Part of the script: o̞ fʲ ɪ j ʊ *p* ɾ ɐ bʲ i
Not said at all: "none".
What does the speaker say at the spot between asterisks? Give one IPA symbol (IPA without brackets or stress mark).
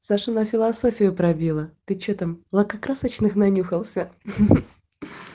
p